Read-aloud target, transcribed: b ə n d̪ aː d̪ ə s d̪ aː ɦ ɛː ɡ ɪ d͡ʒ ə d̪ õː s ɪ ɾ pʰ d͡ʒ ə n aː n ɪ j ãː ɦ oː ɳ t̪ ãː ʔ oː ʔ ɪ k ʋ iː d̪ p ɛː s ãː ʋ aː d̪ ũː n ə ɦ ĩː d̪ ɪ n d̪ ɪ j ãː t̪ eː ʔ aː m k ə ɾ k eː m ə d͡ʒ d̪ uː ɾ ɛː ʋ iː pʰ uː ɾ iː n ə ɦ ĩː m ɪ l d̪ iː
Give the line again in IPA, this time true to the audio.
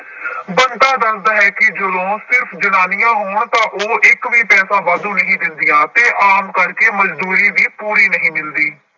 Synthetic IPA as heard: b ə n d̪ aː d̪ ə s d̪ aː ɦ ɛː k ɪ d͡ʒ ə d̪ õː s ɪ ɾ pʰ d͡ʒ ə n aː n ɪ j ãː ɦ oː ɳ t̪ ãː ʔ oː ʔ ɪ k ʋ iː p ɛː s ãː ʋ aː d̪ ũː n ə ɦ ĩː d̪ ɪ n d̪ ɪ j ãː t̪ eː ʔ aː m k ə ɾ k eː m ə d͡ʒ d̪ uː ɾ iː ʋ iː p uː ɾ iː n ə ɦ ĩː m ɪ l d̪ iː

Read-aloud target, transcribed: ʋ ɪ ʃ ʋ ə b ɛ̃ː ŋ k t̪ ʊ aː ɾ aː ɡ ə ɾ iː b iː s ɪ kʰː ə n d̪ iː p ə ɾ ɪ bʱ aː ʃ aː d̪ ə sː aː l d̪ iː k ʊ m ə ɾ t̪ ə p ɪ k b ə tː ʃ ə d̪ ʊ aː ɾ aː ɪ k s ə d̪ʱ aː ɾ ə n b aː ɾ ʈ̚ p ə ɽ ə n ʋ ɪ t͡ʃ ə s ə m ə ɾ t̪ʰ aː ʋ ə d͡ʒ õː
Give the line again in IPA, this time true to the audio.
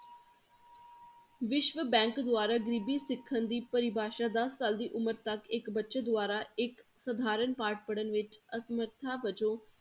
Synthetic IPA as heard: ʋ ɪ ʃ ʋ ə b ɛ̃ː ŋ k d̪ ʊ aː ɾ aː ɡ ə ɾ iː b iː s ɪ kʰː ə n d̪ iː p ə ɾ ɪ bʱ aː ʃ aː d̪ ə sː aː l d̪ iː ʔ ʊ m ə ɾ t̪ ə k ɪ k b ə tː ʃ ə d̪ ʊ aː ɾ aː ɪ k s ə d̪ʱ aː ɾ ə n p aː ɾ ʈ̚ p ə ɽ ə n ʋ ɪ t͡ʃ ə s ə m ə ɾ t̪ʰ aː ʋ ə d͡ʒ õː

